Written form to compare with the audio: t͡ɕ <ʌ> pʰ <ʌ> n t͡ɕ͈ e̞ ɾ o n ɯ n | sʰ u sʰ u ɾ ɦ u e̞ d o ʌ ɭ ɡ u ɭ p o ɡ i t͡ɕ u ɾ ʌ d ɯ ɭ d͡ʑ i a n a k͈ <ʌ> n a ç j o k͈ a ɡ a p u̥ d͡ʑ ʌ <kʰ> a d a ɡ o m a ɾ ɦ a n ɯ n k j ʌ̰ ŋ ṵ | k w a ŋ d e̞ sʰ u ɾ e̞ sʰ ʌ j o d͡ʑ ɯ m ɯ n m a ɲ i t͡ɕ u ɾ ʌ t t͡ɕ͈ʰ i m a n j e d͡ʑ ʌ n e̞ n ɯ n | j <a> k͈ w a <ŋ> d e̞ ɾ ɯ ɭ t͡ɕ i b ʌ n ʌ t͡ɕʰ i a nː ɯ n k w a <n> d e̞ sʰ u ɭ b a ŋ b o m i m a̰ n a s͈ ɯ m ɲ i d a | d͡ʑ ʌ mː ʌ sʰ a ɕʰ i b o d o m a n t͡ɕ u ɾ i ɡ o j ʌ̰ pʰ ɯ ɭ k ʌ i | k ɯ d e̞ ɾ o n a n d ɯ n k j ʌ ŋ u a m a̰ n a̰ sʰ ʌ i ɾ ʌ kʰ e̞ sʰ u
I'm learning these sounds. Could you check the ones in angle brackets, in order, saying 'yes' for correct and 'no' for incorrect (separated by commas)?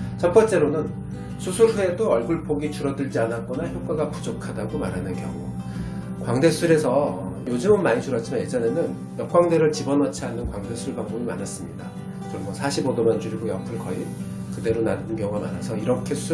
yes, yes, yes, yes, no, yes, no